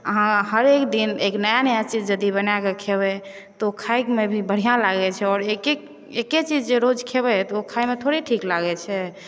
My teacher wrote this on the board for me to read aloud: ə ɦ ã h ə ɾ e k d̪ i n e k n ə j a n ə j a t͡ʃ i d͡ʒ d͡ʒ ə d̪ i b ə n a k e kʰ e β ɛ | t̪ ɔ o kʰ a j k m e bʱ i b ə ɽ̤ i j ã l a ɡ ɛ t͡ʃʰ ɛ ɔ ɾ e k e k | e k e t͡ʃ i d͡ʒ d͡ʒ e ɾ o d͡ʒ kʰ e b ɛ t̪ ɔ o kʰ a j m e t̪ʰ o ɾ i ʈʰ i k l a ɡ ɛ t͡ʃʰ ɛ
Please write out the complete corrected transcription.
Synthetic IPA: ə ɦ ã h ə ɾ e k d̪ i n e k n ə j a n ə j a t͡ʃ i d͡ʒ d͡ʒ ə d̪ i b ə n a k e kʰ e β ɛ | t̪ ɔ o kʰ a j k m e bʱ i b ə ɽ̤ i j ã l a ɡ ɛ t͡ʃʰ ɛ ɔ ɾ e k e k | e k e t͡ʃ i d͡ʒ d͡ʒ e ɾ o d͡ʒ kʰ e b ɛ t̪ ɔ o kʰ a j m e t̪ʰ o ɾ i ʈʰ i k l a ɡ ɛ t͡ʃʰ ɛ

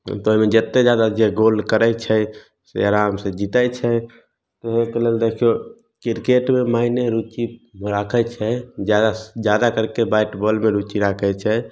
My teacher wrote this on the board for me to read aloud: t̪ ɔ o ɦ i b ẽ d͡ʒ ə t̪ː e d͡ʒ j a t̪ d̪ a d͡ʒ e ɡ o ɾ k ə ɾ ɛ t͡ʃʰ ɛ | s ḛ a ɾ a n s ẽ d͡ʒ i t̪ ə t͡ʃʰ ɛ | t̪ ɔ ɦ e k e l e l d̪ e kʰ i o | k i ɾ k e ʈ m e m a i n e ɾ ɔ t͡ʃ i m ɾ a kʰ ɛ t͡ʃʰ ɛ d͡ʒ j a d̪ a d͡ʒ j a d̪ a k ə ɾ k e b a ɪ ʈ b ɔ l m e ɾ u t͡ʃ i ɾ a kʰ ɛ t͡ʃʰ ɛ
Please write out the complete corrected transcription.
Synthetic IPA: t̪ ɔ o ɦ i m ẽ d͡ʒ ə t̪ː e d͡ʒ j a d̪ a d͡ʒ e ɡ o l k ə ɾ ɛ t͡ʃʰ ɛ | s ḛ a ɾ a m s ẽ d͡ʒ i t̪ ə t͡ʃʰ ɛ | t̪ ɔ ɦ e k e l e l d̪ e kʰ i o | k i ɾ k e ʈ m e m a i n e ɾ u t͡ʃ i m ɾ a kʰ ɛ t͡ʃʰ ɛ d͡ʒ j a d̪ a d͡ʒ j a d̪ a k ə ɾ k e b a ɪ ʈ b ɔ l m e ɾ u t͡ʃ i ɾ a kʰ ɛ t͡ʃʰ ɛ

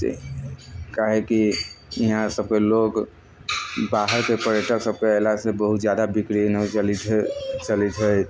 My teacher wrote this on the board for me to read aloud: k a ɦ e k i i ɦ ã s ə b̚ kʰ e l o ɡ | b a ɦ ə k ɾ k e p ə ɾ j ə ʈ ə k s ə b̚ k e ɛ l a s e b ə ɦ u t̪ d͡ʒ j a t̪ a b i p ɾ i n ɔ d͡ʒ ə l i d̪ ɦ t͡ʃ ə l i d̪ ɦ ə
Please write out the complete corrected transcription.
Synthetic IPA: k a ɦ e k i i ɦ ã s ə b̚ k e l o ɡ | b a ɦ ə ɾ k e p ə ɾ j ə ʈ ə k s ə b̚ k e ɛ l a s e b ə ɦ u t̪ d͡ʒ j a d̪ a b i k ɾ i n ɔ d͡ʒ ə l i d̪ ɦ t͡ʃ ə l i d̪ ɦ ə

